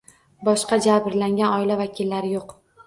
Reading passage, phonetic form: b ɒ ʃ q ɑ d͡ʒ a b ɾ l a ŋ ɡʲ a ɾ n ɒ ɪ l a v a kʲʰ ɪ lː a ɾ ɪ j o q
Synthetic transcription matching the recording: b ɒ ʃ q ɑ d͡ʒ a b ɾ l a ŋ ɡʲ a n ɒ ɪ l a v a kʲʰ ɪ lː a ɾ ɪ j o q